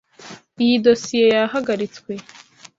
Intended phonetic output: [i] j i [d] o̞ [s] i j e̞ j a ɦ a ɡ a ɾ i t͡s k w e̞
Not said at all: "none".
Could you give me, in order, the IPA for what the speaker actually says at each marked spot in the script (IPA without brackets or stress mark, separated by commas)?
i, d, s